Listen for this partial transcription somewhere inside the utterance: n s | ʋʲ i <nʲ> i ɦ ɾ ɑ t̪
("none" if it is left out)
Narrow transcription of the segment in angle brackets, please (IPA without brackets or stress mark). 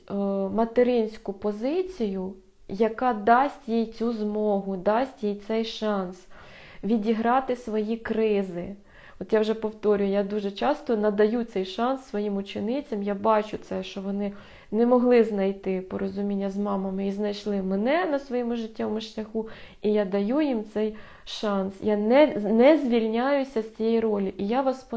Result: dʲ